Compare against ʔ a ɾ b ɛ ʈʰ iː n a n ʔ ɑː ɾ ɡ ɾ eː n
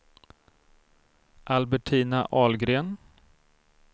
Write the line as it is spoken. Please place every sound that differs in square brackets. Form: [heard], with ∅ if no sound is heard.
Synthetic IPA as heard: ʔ a [l] b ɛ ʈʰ iː n a [∅] ʔ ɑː [l] ɡ ɾ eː n